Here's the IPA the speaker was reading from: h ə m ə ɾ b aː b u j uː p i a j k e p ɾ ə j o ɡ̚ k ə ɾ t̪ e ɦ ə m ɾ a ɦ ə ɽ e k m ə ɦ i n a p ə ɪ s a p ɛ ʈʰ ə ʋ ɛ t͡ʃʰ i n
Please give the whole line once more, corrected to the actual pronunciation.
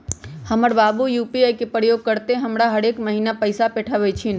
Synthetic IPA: h ə m ə ɾ b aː b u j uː p i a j k e p ɾ ə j o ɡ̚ k ə ɾ t̪ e ɦ ə m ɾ a ɦ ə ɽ e k m ə ɦ i n a p ə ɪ s a p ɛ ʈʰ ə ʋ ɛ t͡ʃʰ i n